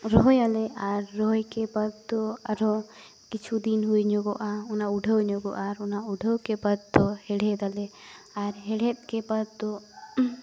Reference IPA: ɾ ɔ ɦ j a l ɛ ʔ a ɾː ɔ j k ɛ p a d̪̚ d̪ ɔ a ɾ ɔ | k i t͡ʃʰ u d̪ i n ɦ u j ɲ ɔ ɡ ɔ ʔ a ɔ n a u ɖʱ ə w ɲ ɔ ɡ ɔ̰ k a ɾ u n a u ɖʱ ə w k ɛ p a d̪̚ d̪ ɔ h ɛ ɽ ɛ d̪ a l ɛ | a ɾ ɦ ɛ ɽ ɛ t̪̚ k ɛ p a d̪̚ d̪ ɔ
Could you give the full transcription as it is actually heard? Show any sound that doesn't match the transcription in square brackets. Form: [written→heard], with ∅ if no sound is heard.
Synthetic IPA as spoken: ɾ ɔ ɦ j a l ɛ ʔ a ɾː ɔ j k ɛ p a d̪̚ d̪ ɔ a ɾ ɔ | k i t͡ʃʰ u d̪ i n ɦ u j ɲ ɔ ɡ ɔ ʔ a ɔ n a u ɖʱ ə w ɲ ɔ ɡ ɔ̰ [k→ʔ] a ɾ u n a u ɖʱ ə w k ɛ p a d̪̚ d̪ ɔ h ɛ ɽ ɛ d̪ a l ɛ | a ɾ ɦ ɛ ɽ ɛ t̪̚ k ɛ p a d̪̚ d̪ ɔ